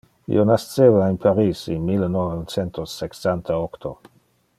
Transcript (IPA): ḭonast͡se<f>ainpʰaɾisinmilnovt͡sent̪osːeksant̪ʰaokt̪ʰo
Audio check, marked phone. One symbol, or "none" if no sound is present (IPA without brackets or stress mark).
v